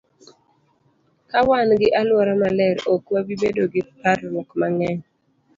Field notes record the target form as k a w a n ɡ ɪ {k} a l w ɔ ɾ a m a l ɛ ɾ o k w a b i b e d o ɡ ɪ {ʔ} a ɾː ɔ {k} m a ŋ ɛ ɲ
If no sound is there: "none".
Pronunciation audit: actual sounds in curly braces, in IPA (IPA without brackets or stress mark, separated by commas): ʔ, p, k